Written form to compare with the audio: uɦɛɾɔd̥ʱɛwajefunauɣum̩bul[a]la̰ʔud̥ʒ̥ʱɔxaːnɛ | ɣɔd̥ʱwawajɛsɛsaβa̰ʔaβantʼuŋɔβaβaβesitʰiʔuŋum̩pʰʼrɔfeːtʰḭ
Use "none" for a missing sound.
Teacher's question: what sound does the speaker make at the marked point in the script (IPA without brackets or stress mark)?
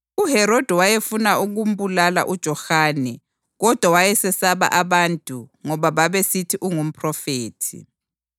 a